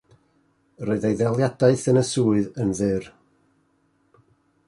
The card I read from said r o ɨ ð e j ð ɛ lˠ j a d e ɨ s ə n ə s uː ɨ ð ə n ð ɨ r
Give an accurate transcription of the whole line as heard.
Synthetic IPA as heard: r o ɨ ð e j ð ɛ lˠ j a d a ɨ θ ə n ə s uː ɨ ð ə n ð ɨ r